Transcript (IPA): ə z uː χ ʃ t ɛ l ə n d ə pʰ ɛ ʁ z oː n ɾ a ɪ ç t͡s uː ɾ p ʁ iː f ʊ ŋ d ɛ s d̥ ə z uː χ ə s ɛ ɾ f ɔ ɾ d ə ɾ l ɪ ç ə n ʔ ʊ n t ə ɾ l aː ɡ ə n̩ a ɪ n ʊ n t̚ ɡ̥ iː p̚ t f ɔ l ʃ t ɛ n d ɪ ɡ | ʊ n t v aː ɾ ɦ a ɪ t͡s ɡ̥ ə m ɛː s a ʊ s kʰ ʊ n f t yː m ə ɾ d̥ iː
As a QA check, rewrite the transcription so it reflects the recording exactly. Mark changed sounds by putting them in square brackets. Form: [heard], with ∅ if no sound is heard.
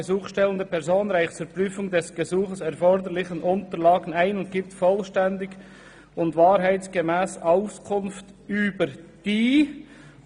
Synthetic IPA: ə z uː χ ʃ t ɛ l ə n d ə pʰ ɛ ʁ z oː n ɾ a ɪ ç t͡s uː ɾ p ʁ [yː] f ʊ ŋ d ɛ s [ɡ̥] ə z uː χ ə s ɛ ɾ f ɔ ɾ d ə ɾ l ɪ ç ə n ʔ ʊ n t ə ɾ l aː ɡ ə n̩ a ɪ n ʊ n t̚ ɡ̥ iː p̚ t f ɔ l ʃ t ɛ n d ɪ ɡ | ʊ n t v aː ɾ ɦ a ɪ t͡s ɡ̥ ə m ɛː s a ʊ s kʰ ʊ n f t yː [b] ə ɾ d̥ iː

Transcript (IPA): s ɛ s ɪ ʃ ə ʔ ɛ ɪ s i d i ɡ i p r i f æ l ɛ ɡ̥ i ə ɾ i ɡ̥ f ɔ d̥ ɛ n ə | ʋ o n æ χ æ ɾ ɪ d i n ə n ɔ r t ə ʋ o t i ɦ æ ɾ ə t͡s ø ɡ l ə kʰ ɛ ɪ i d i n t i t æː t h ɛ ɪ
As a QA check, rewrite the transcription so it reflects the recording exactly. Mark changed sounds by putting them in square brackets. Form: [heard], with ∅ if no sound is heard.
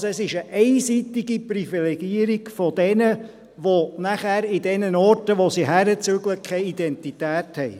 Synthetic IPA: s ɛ s ɪ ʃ ə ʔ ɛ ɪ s i [t] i ɡ i p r i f [i] l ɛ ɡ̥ i ə ɾ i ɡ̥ f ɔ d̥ ɛ n ə | ʋ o n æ χ æ ɾ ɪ d [ɛ] n ə n ɔ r t ə ʋ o [s] i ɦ æ ɾ ə t͡s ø ɡ l ə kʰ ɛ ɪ i d [ɛ] n t i t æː t h ɛ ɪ

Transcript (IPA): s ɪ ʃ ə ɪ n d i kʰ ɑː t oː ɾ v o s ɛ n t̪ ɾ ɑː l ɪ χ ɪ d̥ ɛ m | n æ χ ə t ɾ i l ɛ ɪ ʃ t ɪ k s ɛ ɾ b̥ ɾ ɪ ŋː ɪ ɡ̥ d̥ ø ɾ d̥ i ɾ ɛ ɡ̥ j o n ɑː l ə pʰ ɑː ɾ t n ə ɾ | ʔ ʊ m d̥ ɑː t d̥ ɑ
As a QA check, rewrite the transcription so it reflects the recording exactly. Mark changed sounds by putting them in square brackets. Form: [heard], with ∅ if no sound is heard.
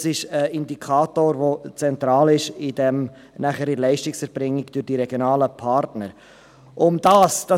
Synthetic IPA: s ɪ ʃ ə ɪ n d i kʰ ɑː t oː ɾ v o [t͡s] ɛ n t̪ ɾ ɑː l ɪ [ʃ] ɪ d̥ ɛ m | n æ χ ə [∅] ɾ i l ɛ ɪ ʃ t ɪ k s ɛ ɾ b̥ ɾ ɪ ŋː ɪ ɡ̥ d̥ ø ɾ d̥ i ɾ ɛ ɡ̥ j o n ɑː l ə pʰ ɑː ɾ t n ə ɾ | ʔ ʊ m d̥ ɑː [s] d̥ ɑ

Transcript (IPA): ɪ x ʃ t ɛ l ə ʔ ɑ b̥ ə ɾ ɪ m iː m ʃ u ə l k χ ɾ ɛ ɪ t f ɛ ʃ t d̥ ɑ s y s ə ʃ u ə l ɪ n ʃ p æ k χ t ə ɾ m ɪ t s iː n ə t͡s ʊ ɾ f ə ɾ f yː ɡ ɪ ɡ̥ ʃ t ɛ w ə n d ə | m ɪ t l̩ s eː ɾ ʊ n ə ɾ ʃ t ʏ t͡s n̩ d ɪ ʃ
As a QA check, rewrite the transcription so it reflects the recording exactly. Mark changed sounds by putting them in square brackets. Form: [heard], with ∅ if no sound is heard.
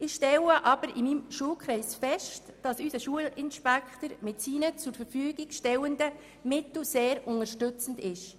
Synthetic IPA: ɪ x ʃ t ɛ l ə ʔ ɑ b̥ ə ɾ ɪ m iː m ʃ u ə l k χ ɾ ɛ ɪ [s] f ɛ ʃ t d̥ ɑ s y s ə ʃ u ə l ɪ n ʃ p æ k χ t ə ɾ m ɪ t s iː n ə t͡s ʊ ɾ f ə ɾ f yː ɡ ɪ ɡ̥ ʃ t ɛ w ə n d ə | m ɪ t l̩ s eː ɾ ʊ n ə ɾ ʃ t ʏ t͡s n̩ d ɪ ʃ

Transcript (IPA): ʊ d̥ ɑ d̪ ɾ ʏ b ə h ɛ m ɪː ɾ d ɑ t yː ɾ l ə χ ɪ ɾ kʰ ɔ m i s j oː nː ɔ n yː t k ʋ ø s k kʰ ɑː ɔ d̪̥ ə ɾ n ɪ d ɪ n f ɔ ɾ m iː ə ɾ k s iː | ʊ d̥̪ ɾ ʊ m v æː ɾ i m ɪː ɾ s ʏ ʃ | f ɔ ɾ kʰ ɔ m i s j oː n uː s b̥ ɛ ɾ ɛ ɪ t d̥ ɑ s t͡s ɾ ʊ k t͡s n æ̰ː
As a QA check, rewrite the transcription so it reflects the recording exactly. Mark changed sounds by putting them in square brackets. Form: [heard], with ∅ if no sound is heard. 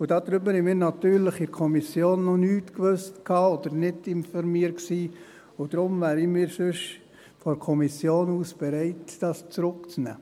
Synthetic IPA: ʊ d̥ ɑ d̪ ɾ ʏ b ə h ɛ m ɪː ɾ [n] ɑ t yː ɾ l ə χ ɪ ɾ kʰ ɔ m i s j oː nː ɔ n yː t k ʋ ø s [t] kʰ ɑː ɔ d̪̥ ə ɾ n ɪ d ɪ n f ɔ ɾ m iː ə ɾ k s iː | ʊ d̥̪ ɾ ʊ m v æː ɾ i m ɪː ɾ s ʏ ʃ | f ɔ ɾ kʰ ɔ m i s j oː n uː s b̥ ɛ ɾ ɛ ɪ t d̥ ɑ s t͡s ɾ ʊ k t͡s n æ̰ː

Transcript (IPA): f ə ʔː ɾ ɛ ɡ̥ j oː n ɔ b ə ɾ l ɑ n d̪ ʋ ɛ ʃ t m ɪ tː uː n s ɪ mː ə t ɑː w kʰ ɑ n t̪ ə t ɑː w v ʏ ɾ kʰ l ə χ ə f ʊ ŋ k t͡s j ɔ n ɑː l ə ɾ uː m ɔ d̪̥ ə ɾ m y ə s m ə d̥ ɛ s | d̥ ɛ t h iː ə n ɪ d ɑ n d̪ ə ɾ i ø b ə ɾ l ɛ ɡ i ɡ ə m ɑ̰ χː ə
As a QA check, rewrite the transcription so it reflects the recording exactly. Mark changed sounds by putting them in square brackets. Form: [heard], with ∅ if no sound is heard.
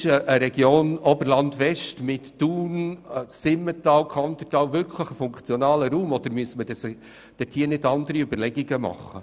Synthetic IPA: [ʃ] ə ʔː ɾ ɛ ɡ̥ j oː n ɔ b ə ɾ l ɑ n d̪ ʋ ɛ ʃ t m ɪ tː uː n s ɪ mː ə t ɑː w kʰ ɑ n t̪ ə t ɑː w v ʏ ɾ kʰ l ə χ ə f ʊ ŋ k t͡s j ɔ n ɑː l ə ɾ uː m ɔ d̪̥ ə ɾ m y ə s m ə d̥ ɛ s | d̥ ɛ t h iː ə n ɪ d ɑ n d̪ ə ɾ i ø b ə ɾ l ɛ ɡ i ɡ ə m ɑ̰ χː ə

